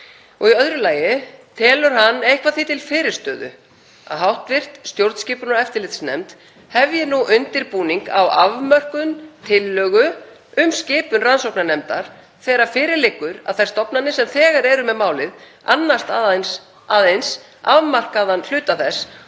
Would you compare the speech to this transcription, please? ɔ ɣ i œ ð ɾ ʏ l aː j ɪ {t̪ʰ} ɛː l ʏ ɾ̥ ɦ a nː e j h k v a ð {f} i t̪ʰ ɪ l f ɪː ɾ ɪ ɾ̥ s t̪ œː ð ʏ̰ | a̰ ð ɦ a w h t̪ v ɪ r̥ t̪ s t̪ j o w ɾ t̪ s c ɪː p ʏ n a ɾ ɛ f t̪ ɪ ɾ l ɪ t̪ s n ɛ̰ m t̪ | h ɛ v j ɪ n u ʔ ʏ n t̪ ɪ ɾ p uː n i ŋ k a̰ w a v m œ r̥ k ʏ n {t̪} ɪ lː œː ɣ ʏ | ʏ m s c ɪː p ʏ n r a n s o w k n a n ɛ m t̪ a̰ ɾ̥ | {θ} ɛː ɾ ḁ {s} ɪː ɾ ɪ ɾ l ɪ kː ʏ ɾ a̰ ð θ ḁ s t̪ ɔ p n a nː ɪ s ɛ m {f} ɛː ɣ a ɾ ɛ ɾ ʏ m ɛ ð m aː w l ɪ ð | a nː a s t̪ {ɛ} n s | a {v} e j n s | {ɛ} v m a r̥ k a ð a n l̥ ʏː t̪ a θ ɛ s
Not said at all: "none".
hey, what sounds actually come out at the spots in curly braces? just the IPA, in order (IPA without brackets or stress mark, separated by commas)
t̪ʰ, θ, t̪ʰ, θ, f, θ, a, ð, a